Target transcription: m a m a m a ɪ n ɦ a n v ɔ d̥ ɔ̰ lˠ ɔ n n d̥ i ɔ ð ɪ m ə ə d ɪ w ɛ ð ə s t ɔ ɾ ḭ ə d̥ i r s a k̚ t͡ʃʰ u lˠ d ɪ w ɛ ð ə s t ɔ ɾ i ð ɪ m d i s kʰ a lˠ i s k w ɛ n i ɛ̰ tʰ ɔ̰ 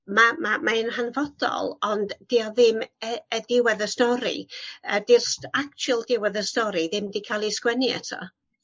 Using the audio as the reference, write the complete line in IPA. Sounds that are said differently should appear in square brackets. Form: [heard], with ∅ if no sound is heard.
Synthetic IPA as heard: m a m a m a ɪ n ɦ a n v ɔ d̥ ɔ̰ lˠ ɔ n [d] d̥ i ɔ ð ɪ m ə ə d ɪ w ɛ ð ə s t ɔ ɾ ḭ ə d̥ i r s a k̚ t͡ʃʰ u lˠ d ɪ w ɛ ð ə s t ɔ ɾ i ð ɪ m d i [∅] kʰ a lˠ i s k w ɛ n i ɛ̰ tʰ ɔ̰